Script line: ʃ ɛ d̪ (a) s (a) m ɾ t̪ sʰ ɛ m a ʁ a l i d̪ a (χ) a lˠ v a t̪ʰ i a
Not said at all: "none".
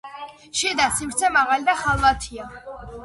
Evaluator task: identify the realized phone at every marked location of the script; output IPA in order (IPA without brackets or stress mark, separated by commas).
a, i, χ